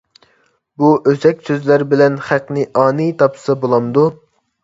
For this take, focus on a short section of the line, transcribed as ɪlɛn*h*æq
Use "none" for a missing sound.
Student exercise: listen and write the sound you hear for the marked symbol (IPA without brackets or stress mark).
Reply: χ